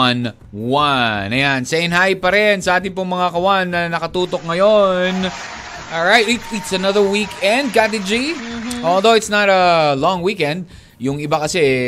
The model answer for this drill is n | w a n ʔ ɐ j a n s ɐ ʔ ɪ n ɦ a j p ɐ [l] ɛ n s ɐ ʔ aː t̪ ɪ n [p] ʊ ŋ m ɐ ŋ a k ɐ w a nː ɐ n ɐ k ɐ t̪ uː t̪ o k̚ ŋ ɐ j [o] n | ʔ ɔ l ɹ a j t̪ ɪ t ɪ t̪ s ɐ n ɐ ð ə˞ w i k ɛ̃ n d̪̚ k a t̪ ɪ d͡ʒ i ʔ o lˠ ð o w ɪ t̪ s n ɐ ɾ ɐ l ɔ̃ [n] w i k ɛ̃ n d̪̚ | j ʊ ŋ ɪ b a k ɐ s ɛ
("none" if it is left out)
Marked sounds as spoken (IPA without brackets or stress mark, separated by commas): ɾ, p, o, ŋ